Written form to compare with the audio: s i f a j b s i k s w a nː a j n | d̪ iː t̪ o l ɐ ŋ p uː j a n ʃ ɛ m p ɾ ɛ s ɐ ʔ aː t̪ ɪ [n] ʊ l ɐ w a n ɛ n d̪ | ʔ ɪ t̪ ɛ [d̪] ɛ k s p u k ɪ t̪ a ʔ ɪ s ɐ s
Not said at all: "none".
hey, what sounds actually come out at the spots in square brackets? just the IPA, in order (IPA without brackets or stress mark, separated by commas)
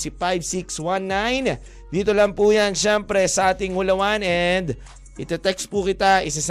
ŋ, t̪